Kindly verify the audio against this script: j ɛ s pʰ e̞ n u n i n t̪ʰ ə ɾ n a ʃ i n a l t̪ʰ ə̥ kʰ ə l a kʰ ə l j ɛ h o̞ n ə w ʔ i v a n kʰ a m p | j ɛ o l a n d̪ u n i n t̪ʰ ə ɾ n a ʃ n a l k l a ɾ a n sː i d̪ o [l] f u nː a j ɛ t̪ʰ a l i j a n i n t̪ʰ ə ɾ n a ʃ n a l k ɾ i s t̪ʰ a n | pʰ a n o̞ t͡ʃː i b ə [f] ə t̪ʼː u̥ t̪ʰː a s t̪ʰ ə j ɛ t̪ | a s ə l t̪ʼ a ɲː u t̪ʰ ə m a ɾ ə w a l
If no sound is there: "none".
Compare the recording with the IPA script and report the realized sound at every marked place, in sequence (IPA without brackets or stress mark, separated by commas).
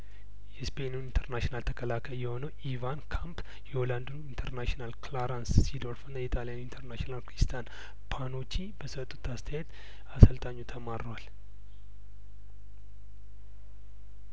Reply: ɾ, s